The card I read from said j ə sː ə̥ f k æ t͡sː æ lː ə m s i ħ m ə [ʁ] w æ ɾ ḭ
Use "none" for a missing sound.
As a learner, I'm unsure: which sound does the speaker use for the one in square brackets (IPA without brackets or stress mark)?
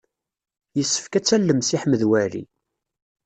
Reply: ð